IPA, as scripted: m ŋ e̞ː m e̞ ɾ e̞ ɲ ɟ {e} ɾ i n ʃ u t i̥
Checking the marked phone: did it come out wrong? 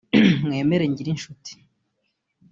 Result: yes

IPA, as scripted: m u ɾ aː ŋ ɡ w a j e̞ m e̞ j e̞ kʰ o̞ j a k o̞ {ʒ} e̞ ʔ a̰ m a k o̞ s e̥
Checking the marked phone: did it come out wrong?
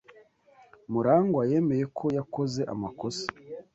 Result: yes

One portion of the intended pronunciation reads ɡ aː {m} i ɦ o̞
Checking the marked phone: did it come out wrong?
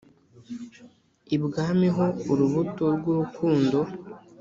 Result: no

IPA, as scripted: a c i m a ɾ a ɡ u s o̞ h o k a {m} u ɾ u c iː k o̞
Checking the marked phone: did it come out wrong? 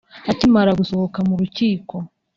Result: no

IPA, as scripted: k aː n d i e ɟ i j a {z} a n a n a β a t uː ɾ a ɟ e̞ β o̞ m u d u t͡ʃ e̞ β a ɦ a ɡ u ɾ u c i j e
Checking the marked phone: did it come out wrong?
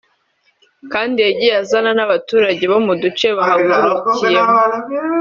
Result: no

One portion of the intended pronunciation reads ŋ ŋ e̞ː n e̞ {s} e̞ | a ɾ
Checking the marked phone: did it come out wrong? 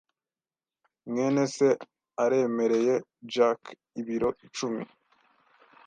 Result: no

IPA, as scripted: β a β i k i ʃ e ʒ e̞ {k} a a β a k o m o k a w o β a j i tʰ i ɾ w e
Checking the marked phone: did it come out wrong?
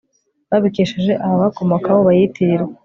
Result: yes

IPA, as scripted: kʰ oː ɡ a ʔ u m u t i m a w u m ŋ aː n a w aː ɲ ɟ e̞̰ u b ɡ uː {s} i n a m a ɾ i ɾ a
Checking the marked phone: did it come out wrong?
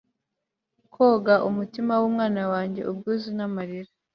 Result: yes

